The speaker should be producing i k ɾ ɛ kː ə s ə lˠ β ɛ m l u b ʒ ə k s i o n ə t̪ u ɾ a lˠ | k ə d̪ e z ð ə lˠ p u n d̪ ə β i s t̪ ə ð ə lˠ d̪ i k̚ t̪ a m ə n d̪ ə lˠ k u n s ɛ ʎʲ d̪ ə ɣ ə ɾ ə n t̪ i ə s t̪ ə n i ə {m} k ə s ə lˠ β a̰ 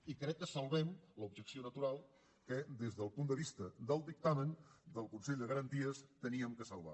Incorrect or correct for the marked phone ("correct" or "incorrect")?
correct